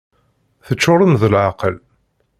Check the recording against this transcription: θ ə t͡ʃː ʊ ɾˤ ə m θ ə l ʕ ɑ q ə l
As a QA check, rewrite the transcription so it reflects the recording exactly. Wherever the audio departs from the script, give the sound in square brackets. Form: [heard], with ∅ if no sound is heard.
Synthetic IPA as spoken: θ ə t͡ʃː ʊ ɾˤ ə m [ð] ə l ʕ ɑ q ə l